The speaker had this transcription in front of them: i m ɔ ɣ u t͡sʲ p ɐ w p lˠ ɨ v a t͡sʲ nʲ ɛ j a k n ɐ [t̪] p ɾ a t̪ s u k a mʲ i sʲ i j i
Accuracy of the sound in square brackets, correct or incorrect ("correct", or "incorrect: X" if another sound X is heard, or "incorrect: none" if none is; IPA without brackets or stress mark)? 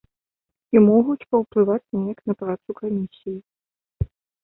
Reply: incorrect: none